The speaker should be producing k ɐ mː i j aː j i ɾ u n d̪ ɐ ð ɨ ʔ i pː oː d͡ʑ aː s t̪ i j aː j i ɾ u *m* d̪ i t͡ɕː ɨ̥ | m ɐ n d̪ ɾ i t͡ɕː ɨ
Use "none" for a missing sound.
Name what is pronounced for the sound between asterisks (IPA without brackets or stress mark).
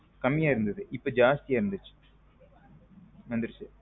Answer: n